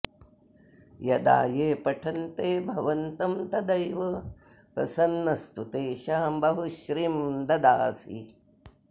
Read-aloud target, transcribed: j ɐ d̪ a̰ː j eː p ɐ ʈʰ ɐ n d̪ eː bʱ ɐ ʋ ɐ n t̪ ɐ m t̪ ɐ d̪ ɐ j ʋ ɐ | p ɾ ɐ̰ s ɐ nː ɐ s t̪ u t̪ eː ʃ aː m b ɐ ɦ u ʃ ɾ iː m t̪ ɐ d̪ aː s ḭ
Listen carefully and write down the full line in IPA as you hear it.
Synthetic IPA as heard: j ɐ d̪ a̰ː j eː p ɐ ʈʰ ɐ n t̪ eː bʱ ɐ ʋ ɐ n t̪ ɐ m t̪ ɐ d̪ ɐ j ʋ ɐ | p ɾ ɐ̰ s ɐ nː ɐ s t̪ u t̪ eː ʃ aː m b ɐ ɦ u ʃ ɾ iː m d̪ ɐ d̪ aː s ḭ